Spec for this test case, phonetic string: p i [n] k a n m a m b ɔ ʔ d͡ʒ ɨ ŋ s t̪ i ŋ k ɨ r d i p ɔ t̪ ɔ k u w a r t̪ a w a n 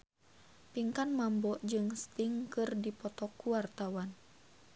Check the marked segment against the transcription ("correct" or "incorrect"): incorrect